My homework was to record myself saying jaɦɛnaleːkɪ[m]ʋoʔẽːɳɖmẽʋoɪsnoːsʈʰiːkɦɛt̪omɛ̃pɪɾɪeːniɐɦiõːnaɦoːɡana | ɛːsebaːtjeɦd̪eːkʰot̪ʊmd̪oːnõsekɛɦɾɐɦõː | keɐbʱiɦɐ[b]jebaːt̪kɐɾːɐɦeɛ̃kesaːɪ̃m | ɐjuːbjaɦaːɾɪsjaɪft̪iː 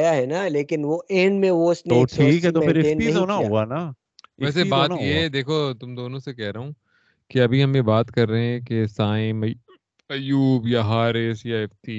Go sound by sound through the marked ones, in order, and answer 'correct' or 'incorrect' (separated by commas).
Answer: incorrect, incorrect